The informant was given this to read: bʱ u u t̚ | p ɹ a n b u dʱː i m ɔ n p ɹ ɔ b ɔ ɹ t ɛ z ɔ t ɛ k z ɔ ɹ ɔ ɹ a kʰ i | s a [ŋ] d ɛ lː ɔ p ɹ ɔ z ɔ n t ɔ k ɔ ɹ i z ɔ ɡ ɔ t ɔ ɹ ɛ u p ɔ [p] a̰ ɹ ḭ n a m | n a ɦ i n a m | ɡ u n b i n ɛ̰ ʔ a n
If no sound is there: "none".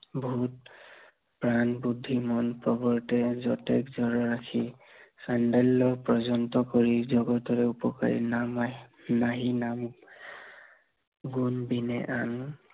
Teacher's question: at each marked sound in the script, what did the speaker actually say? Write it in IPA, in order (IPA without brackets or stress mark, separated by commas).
n, k